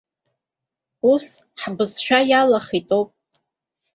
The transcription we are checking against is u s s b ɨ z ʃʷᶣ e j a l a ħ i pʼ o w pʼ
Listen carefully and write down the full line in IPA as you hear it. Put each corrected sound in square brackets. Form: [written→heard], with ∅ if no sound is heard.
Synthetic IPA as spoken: u s [s→ħ] b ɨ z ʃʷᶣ [e→a] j a l a [ħ→χ] i [pʼ→tʼ] o w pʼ